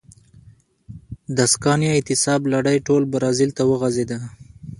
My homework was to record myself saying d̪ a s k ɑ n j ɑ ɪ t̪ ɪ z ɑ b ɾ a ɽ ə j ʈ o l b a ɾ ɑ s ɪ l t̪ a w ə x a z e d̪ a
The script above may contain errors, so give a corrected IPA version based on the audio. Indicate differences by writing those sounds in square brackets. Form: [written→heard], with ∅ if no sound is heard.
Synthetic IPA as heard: d̪ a s k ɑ n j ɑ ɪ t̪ ɪ [z→s] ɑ b [ɾ→l] a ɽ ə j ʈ o l b a ɾ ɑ [s→z] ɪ l t̪ a w ə [x→ɣ] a z e d̪ a